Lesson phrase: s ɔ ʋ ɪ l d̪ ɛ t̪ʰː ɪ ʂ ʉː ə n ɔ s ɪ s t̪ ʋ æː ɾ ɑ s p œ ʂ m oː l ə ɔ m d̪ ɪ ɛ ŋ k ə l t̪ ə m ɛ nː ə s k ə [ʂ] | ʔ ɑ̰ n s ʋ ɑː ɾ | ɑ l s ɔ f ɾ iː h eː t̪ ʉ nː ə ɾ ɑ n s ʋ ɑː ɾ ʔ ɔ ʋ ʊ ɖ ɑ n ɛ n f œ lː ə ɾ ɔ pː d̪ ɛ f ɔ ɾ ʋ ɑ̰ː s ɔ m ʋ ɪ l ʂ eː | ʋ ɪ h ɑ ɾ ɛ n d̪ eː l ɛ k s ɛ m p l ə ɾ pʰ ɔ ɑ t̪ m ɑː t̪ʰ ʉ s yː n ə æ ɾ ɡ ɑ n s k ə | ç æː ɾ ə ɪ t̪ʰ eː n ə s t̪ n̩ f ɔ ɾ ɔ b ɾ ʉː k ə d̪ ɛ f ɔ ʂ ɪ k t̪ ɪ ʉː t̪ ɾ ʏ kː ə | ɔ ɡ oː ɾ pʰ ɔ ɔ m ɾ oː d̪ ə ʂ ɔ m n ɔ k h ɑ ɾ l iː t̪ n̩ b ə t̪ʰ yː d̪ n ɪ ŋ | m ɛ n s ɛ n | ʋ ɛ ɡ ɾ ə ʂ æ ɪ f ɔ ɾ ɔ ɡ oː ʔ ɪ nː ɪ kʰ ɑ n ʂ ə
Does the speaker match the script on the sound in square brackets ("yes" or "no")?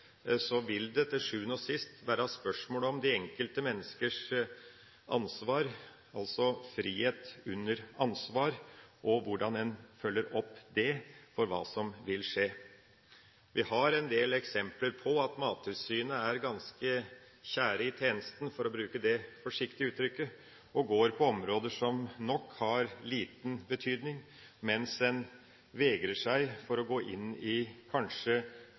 yes